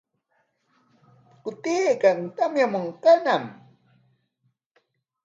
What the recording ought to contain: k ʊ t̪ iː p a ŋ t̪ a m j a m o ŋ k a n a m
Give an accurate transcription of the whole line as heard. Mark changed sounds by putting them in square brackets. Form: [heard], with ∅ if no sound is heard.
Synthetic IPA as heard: k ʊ t̪ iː [k] a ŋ t̪ a m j a m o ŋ k a n a m